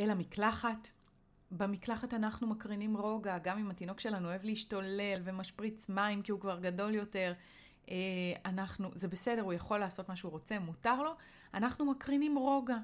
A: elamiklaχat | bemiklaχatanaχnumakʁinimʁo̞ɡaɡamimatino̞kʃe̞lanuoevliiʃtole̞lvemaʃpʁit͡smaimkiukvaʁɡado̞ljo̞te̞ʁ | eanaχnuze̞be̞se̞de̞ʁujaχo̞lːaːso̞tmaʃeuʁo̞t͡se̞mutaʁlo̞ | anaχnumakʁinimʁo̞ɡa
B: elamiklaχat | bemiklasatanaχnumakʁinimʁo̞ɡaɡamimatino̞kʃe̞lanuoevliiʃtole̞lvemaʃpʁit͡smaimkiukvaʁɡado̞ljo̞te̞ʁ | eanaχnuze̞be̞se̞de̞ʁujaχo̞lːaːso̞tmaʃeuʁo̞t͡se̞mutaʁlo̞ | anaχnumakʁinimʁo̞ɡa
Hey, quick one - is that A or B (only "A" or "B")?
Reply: A